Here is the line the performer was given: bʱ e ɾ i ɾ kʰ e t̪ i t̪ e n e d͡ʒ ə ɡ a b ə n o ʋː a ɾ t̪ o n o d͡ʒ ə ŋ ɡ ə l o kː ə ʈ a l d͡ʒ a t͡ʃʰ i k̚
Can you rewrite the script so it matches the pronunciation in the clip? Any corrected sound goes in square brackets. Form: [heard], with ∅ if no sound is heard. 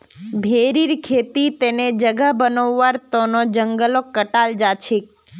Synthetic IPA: bʱ e ɾ i ɾ kʰ e t̪ i t̪ e n e d͡ʒ ə ɡ a b ə n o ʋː a ɾ t̪ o n o d͡ʒ ə ŋ ɡ ə l o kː ə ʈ a l d͡ʒ a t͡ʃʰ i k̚